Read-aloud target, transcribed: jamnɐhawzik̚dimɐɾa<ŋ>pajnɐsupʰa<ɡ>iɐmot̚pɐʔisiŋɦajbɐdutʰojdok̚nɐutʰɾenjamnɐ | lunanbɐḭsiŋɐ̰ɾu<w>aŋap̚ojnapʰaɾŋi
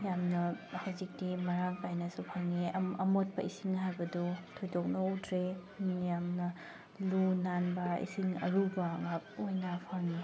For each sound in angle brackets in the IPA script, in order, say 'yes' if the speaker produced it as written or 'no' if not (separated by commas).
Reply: yes, no, no